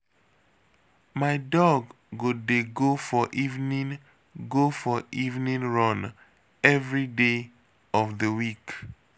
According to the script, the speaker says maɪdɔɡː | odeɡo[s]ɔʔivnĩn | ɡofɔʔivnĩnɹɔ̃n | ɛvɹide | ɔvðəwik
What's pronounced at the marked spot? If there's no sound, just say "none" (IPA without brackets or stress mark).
f